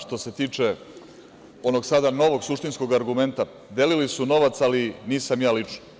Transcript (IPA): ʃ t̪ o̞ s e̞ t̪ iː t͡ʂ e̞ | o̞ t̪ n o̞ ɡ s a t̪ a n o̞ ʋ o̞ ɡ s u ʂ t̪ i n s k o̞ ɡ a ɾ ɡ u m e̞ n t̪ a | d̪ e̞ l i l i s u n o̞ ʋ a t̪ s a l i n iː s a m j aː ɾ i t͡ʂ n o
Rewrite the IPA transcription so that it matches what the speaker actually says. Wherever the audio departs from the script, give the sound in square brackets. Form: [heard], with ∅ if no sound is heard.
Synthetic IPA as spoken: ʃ t̪ o̞ s e̞ t̪ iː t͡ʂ e̞ | o̞ [∅] n o̞ ɡ s a [d̪] a n o̞ ʋ o̞ ɡ s u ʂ t̪ i n s k o̞ ɡ a ɾ ɡ u m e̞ n t̪ a | d̪ e̞ l i l i s u n o̞ ʋ a t̪ s a l i n iː s a m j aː [l] i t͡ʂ n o